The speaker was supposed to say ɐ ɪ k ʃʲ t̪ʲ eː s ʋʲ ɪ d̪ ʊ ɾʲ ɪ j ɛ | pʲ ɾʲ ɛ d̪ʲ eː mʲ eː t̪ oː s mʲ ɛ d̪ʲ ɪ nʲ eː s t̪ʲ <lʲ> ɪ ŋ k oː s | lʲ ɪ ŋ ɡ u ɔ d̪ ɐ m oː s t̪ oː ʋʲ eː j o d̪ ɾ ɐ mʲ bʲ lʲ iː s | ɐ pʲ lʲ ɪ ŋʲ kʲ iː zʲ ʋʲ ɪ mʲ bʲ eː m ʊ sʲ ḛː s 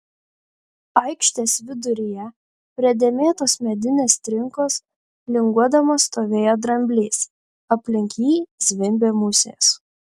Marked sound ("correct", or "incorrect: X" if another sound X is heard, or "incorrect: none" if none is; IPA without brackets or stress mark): incorrect: ɾʲ